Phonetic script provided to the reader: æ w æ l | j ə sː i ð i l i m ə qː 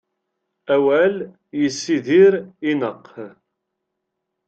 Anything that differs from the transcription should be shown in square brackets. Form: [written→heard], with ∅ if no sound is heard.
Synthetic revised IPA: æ w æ l | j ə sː i ð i [l→ɾ] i [m→n] ə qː